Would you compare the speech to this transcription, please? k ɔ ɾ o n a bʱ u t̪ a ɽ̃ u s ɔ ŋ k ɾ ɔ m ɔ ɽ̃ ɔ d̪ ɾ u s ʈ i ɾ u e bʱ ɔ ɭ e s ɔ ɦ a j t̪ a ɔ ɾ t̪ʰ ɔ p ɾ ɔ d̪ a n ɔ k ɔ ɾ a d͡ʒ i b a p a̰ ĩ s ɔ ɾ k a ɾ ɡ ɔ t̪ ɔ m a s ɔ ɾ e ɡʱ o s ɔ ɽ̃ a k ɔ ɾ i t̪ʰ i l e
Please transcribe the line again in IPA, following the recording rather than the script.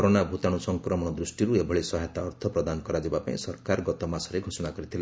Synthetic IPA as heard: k ɔ ɾ o n a bʱ u t̪ a ɽ̃ u s ɔ ŋ k ɾ ɔ m ɔ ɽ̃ ɔ d̪ ɾ u s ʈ i ɾ u e bʱ ɔ ɭ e s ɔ ɦ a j t̪ a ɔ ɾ t̪ʰ ɔ p ɾ ɔ d̪ a n ɔ k ɔ ɾ a d͡ʒ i b a p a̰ ĩ s ɔ ɾ k a ɾ ɡ ɔ t̪ ɔ m a s ɔ ɾ e ɡʱ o s ɔ ɽ̃ a k ɔ ɾ i t̪ʰ i l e